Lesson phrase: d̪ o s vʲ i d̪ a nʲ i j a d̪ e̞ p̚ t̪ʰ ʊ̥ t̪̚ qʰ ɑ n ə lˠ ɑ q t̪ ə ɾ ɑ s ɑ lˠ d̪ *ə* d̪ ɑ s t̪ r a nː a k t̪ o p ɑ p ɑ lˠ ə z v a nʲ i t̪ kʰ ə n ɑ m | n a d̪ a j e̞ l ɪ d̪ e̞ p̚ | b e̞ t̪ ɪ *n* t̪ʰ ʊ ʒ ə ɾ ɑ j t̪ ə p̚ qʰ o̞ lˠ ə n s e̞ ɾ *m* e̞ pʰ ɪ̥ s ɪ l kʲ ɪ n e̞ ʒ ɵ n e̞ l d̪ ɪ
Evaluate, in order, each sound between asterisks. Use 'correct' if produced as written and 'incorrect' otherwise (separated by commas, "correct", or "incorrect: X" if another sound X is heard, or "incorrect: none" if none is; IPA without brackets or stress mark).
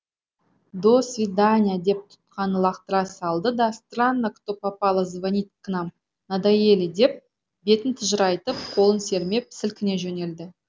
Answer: correct, correct, correct